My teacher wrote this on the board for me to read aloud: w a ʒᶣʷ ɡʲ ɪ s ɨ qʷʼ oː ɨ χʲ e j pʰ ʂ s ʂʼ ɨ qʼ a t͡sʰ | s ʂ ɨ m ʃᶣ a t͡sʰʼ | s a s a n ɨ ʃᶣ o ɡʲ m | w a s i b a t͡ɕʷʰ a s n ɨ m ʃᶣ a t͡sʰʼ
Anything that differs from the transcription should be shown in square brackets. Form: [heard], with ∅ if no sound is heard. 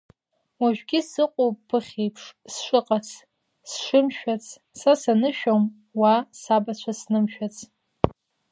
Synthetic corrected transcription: w a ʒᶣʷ ɡʲ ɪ s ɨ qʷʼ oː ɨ χʲ e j pʰ ʂ s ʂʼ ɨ qʼ a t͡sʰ | s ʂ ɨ m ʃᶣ a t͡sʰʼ | s a s a n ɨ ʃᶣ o [∅] m | w a s [a] b a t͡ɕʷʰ a s n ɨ m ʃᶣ a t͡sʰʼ